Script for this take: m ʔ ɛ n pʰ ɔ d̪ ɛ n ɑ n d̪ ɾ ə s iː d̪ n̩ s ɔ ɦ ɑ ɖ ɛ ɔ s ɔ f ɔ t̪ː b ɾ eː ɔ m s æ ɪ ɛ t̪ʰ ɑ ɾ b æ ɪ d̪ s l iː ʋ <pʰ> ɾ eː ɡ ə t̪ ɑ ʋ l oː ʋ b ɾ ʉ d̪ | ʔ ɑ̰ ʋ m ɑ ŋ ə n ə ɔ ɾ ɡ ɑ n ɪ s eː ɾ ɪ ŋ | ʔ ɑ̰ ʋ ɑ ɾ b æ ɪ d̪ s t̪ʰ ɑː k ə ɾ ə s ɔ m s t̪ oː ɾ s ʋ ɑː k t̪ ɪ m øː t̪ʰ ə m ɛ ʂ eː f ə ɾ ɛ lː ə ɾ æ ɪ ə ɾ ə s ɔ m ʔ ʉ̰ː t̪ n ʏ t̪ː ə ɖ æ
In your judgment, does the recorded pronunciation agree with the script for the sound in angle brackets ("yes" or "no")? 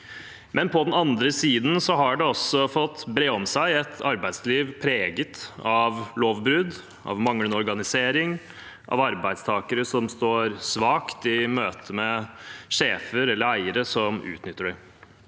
yes